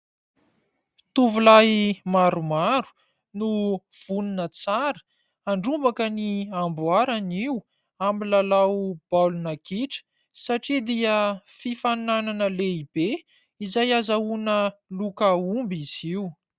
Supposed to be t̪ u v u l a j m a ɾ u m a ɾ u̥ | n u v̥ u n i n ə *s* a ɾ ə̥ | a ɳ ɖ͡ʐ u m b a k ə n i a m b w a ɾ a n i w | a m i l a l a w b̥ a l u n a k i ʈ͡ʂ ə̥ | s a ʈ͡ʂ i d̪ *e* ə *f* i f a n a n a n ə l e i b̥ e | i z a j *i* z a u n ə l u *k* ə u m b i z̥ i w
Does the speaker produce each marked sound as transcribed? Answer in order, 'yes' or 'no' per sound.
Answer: no, no, yes, no, yes

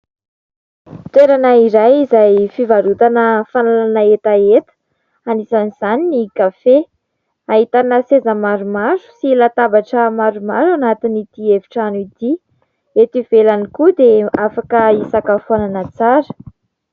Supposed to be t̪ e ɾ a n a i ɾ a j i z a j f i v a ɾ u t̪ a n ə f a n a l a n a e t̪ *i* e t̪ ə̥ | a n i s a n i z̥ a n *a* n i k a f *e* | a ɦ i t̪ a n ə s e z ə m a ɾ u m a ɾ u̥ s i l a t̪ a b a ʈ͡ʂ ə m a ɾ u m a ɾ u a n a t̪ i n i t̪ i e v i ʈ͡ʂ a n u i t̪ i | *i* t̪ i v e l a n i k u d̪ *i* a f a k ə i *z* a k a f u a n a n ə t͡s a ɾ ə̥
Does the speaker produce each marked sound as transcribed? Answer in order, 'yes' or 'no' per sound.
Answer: no, no, yes, no, no, no

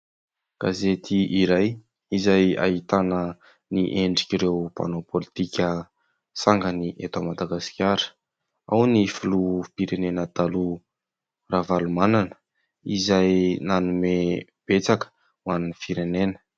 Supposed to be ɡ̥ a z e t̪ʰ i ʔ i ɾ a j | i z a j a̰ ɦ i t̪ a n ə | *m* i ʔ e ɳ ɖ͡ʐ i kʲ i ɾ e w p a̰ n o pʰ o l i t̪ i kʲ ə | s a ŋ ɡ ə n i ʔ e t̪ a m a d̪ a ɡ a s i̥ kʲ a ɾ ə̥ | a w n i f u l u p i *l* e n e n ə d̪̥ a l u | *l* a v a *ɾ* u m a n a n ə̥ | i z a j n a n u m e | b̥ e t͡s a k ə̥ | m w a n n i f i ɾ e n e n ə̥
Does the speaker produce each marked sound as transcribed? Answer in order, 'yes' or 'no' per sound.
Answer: no, no, no, no

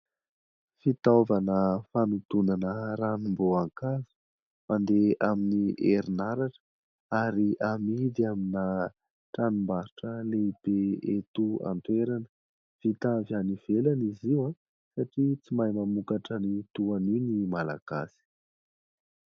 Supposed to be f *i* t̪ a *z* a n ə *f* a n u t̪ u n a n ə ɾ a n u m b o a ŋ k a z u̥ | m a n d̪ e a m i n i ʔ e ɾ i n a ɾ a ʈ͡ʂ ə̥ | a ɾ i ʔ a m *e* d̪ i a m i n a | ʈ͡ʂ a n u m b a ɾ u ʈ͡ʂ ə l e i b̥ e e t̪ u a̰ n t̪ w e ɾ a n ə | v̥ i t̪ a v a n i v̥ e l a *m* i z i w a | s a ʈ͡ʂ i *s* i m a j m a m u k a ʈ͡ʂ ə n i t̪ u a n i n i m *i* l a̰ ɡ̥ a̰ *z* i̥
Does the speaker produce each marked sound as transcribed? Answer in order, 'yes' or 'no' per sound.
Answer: yes, no, yes, no, no, no, no, no

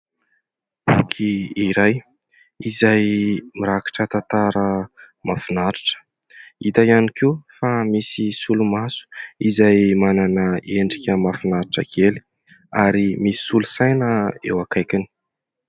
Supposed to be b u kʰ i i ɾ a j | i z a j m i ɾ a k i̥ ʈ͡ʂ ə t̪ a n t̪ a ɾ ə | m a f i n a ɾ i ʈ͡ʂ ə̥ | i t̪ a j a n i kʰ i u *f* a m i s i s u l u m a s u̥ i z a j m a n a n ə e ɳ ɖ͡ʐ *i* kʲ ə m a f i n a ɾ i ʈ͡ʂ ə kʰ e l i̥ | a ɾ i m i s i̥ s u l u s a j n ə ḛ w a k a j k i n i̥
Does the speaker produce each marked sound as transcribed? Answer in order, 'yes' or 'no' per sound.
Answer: yes, yes

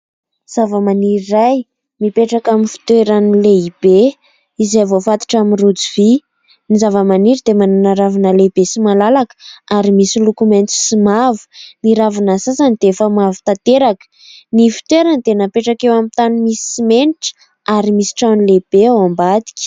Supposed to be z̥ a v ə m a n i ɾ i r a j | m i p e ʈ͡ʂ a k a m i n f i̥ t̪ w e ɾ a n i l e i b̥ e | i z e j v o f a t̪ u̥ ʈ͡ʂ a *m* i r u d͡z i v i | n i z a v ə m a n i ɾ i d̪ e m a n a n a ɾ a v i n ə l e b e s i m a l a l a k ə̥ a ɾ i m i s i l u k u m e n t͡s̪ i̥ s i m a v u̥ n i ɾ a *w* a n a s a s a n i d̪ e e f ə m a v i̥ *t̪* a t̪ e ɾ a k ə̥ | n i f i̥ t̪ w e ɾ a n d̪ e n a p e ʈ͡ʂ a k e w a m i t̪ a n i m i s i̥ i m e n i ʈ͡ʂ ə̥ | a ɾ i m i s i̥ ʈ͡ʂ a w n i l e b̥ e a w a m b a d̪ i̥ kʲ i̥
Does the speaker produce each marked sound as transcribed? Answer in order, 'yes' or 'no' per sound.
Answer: yes, no, yes

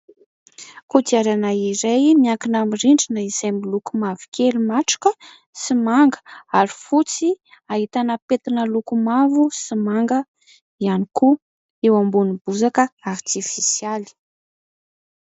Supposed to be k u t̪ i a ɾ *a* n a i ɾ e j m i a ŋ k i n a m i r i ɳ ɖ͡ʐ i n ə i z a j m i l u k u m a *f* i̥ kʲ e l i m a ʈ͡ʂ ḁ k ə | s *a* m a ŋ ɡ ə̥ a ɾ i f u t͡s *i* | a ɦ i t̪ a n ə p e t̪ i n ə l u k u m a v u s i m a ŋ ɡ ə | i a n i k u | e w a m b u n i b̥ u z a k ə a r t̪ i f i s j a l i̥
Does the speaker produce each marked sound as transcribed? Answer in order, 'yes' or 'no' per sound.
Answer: yes, no, no, yes

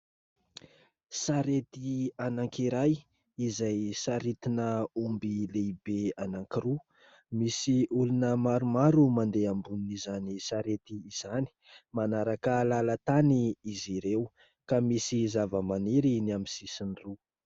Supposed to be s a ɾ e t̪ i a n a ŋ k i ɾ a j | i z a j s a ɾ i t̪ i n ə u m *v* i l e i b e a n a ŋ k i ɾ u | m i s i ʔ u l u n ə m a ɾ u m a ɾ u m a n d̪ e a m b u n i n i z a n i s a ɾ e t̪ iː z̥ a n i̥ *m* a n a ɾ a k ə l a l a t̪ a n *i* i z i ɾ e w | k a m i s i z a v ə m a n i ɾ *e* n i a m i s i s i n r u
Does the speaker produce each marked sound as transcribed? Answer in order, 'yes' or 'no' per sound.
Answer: no, yes, yes, no

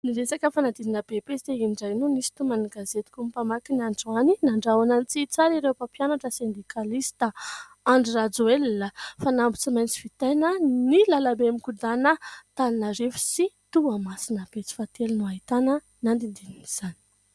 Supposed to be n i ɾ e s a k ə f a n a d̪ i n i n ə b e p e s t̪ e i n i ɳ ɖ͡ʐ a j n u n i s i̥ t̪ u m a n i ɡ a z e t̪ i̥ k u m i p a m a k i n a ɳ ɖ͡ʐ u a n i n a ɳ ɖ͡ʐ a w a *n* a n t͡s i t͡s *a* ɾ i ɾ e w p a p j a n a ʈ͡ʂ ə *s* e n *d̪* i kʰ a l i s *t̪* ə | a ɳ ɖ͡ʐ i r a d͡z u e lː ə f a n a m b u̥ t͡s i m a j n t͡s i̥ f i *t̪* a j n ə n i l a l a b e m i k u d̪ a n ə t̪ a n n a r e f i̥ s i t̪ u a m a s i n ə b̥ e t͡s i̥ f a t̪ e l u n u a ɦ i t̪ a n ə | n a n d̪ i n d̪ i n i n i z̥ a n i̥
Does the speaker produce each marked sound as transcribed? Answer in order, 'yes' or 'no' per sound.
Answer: yes, yes, yes, yes, yes, yes

